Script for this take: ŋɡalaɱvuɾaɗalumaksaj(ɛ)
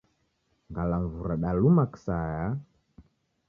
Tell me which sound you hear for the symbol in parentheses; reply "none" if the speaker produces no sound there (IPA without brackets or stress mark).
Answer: a